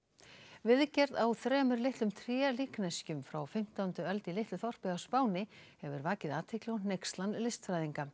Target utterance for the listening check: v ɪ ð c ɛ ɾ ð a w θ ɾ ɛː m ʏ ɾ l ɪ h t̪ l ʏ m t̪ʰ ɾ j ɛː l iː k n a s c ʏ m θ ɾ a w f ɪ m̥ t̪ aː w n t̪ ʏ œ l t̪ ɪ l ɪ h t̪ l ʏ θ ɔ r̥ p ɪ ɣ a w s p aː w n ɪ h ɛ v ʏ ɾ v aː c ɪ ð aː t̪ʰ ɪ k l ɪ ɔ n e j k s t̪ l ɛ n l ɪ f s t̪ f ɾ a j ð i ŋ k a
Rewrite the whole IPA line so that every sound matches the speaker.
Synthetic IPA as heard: v ɪ ð c ɛ ɾ ð a w θ ɾ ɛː m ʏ ɾ l ɪ h t̪ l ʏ m t̪ʰ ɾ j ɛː l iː k n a s c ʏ m f ɾ a w f ɪ m̥ t̪ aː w n t̪ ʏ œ l t̪ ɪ l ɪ h t̪ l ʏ θ ɔ r̥ p ɪ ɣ a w s p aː w n ɪ h ɛ v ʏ ɾ v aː c ɪ ð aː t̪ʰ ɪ k l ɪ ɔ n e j k s t̪ l a n l ɪ s t̪ f ɾ a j ð i ŋ k a